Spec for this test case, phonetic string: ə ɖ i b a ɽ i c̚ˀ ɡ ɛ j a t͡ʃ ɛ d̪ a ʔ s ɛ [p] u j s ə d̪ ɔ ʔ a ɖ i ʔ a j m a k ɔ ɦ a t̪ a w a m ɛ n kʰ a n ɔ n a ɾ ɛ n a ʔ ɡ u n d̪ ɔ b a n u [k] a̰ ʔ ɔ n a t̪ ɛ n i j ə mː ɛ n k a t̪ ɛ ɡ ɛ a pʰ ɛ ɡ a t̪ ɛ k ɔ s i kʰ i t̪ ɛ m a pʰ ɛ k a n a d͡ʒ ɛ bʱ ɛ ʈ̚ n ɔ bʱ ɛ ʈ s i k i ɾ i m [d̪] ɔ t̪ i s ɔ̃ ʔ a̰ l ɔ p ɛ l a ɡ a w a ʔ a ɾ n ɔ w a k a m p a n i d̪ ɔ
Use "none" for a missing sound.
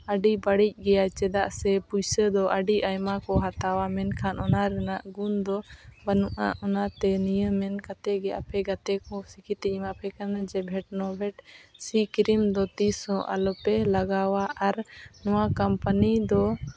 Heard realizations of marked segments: p, ʔ, d̪

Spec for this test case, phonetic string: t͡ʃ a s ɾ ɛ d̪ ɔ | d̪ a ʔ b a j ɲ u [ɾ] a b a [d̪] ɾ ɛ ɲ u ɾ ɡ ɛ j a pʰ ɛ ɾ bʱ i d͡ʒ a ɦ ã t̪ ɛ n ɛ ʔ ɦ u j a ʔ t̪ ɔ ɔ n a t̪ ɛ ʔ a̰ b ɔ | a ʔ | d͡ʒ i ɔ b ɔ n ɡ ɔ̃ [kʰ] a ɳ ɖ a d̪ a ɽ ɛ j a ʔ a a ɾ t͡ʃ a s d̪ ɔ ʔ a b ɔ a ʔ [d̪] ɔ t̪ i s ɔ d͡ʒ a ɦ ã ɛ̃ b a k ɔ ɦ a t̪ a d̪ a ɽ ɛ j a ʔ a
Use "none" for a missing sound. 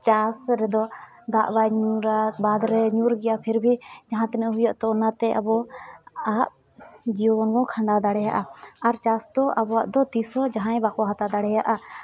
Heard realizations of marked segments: ɾ, d̪, kʰ, d̪

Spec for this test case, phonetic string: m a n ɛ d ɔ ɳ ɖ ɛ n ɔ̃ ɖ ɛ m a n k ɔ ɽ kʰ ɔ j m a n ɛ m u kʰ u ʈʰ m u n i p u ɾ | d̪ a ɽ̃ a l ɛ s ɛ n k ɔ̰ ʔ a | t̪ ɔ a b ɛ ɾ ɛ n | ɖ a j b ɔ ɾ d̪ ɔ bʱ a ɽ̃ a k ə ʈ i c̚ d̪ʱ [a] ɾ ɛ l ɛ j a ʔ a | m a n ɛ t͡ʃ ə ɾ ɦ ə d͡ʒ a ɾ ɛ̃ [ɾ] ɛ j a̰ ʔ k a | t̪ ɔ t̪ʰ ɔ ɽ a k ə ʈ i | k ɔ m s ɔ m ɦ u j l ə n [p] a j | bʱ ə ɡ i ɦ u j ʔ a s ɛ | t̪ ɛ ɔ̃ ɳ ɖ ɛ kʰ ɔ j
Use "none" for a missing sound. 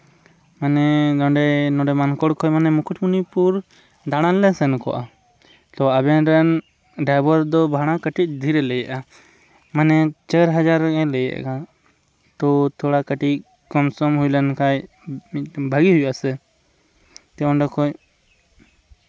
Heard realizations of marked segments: i, l, k

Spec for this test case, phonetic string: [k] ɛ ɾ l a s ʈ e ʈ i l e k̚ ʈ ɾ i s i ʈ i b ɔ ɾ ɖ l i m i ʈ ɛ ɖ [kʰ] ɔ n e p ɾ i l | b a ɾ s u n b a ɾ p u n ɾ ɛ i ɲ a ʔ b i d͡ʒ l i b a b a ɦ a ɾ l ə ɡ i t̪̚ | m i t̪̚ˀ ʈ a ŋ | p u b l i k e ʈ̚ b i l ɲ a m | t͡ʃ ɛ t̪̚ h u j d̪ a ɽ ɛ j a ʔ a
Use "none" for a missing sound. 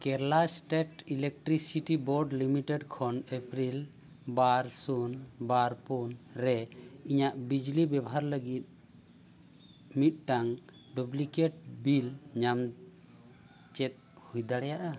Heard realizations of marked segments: k, kʰ

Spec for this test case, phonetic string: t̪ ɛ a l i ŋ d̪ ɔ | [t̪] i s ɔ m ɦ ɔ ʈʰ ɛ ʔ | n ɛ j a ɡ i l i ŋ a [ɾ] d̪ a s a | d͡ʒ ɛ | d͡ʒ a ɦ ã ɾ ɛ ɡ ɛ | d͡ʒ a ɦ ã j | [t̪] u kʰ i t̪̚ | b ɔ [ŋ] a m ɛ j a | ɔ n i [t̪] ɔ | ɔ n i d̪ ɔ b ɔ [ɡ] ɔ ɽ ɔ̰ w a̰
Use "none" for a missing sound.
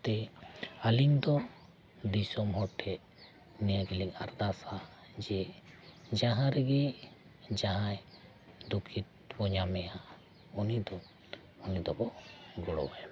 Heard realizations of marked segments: d̪, ɾ, d̪, ɲ, d̪, ɡ

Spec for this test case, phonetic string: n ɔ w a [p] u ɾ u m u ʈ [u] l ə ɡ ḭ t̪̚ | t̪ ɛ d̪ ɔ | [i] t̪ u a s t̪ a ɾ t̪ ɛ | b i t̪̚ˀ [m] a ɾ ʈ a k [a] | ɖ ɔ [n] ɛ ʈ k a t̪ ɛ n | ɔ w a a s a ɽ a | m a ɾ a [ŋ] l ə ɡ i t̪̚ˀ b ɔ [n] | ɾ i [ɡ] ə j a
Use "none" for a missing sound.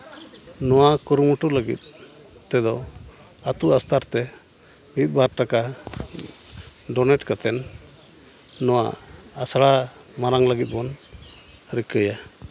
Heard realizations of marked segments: k, u, a, b, a, n, ŋ, n, k

